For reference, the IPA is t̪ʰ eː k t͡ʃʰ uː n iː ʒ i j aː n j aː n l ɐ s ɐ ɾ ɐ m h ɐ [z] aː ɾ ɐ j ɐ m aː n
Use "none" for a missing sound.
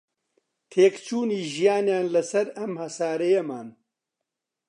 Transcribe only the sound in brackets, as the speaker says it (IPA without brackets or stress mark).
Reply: s